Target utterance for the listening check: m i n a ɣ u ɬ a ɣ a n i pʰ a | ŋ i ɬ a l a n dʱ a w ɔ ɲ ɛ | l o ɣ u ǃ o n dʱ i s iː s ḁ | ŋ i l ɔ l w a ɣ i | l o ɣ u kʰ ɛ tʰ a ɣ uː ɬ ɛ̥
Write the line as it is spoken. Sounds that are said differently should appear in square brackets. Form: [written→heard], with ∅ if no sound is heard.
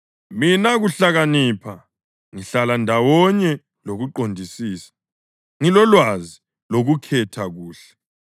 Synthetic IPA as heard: m i n a ɣ u ɬ a ɣ a n i pʰ a | ŋ i ɬ a l a n dʱ a w ɔ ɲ ɛ | l o ɣ u ǃ o n dʱ i s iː s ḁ | ŋ i l ɔ l w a [ɣ→z] i | l o ɣ u kʰ ɛ tʰ a ɣ uː ɬ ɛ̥